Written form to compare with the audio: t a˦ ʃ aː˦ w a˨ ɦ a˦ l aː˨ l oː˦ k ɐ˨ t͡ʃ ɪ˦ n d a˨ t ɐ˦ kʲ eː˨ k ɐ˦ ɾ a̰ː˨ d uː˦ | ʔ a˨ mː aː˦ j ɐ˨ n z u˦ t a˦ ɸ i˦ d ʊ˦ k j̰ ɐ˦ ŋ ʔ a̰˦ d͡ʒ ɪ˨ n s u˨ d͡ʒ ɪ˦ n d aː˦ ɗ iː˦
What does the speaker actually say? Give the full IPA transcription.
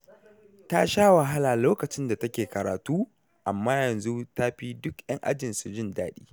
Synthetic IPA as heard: t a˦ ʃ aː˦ w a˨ ɦ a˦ l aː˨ l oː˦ k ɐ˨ t͡ʃ ɪ˦ n d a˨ t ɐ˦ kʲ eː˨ k ɐ˨ ɾ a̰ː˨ t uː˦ | ʔ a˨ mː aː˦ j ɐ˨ n z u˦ t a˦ ɸ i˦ d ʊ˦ k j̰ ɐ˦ ŋ ʔ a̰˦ d͡ʒ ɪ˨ n s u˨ d͡ʒ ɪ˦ n d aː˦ ɗ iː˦

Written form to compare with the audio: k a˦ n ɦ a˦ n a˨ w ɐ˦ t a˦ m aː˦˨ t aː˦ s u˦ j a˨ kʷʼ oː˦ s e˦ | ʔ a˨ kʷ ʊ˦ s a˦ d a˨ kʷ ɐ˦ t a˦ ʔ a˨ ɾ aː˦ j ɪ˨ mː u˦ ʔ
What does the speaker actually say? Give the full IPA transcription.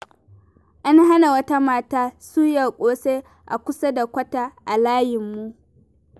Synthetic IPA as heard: ʔ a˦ n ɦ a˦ n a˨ w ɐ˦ t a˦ m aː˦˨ t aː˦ s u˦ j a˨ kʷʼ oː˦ s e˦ | ʔ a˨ kʷ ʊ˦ s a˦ d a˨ kʷ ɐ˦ t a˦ ʔ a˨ l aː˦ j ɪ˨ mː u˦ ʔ

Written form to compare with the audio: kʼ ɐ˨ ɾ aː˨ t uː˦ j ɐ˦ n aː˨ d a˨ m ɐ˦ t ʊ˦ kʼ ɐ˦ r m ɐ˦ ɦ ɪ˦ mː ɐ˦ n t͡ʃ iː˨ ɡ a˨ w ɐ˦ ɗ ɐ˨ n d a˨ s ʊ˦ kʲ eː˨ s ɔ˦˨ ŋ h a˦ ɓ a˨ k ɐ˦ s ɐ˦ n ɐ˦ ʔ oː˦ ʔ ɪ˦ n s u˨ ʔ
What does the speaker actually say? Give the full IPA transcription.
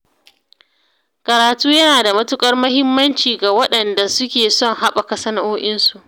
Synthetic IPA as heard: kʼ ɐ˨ ɾ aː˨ t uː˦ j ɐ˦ n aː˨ d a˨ m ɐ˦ t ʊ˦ kʼ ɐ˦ r m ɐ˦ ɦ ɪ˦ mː ɐ˦ n t͡ʃ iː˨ ɡ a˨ w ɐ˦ ɗ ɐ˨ n d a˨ s ʊ˦ kʲ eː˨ s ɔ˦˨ ŋ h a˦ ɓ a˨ k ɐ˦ s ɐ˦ n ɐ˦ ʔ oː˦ ʔ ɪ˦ n s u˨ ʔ

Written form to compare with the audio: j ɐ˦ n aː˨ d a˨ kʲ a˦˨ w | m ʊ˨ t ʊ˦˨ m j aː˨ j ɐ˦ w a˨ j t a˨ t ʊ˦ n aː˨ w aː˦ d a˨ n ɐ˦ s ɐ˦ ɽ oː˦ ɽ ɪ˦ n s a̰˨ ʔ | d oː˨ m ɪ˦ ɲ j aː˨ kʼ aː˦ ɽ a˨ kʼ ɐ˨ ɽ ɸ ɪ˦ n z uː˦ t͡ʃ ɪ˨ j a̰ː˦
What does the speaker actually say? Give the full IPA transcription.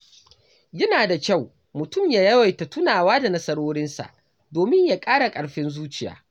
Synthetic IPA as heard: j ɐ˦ n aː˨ d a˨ kʲ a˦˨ w | m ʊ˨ t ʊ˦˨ m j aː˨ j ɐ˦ w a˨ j t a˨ t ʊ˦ n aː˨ w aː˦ d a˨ n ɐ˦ s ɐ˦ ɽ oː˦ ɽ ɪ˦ n s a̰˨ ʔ | d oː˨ m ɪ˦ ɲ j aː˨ kʼ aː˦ ɽ a˨ kʼ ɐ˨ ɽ ɸ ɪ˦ n z uː˦ t͡ʃ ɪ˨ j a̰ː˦

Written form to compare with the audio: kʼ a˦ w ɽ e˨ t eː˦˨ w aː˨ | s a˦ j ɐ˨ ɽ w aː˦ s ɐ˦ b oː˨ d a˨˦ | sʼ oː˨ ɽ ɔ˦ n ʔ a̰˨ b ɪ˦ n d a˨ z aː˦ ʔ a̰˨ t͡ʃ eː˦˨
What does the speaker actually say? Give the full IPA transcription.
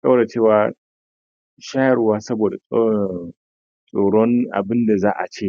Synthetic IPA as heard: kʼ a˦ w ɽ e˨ t͡ʃ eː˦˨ w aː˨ | ʃ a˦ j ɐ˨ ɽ w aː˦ s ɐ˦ b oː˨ d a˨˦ | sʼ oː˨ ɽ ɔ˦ n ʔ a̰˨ b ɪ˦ n d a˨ z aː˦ ʔ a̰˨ t͡ʃ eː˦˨

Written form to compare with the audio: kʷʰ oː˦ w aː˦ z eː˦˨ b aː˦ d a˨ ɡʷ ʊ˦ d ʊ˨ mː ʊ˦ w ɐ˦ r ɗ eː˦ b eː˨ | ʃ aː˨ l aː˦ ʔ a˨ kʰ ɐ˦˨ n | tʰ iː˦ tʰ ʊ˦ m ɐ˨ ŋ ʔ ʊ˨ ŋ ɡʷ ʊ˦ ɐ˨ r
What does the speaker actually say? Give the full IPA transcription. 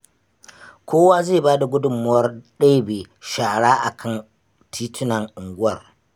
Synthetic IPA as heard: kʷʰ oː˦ w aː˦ z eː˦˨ b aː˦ d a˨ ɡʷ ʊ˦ d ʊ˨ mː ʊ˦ w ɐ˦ r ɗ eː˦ b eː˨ | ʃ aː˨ ɽ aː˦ ʔ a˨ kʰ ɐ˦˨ n | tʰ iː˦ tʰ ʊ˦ n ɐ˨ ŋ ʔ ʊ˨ ŋ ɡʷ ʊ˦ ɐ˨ r

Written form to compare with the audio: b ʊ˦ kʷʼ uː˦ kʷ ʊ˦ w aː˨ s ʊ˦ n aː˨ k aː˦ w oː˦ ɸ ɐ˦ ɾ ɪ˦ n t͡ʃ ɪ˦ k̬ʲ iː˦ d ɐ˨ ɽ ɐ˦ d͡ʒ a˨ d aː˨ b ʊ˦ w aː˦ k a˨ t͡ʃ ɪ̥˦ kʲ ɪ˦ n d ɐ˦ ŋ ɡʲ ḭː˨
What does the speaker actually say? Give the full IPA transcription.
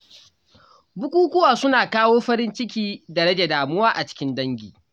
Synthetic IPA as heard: b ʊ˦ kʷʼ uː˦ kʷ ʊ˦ w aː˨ s ʊ˦ n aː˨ k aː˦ w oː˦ ɸ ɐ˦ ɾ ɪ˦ n t͡ʃ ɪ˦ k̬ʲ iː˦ d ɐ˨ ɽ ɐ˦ d͡ʒ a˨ d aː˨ m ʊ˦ w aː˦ ʔ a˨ t͡ʃ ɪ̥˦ kʲ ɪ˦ n d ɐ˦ ŋ ɡʲ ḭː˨

